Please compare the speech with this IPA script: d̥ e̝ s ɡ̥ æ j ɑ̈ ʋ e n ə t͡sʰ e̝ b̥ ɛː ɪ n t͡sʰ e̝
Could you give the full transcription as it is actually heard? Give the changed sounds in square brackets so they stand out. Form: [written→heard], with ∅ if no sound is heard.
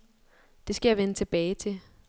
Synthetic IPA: d̥ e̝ s ɡ̥ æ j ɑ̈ ʋ e n ə t͡sʰ e̝ b̥ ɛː ɪ [n→∅] t͡sʰ e̝